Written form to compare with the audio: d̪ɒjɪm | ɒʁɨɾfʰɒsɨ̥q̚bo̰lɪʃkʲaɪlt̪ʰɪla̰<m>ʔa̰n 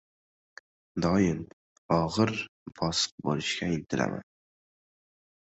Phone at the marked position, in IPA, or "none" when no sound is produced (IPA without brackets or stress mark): m